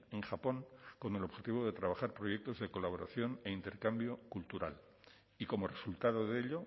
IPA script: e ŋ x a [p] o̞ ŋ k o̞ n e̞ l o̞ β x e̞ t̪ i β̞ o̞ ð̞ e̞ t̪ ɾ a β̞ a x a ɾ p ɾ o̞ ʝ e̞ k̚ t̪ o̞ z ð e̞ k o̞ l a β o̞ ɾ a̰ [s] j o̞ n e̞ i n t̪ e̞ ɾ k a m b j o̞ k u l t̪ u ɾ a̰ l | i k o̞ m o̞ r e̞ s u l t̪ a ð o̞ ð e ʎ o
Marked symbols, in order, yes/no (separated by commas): yes, no